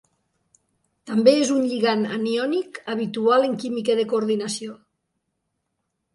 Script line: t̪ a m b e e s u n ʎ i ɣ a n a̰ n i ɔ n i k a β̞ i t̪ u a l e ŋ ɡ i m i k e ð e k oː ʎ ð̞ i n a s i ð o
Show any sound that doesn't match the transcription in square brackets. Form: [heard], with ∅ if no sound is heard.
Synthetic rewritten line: t̪ a m b e e [z] u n ʎ i ɣ a n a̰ n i ɔ n i k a β̞ i t̪ u a l e ŋ [k] i m i k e ð e k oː [ɾ] ð̞ i n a s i [∅] o